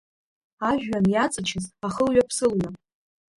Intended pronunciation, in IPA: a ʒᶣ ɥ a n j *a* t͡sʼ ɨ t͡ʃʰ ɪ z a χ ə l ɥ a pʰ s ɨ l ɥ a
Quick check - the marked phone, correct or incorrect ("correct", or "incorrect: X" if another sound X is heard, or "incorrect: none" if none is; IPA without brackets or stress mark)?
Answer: correct